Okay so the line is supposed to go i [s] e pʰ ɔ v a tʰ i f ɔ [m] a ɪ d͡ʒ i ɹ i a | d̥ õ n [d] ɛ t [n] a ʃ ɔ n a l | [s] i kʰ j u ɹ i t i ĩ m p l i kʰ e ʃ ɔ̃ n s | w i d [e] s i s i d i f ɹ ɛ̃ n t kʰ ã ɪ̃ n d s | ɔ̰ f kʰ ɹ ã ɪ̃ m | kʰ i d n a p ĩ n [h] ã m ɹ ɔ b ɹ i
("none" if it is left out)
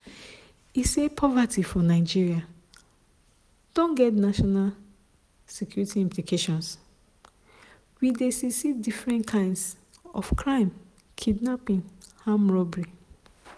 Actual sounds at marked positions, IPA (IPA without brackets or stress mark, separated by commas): s, n, ɡ, n, s, e, h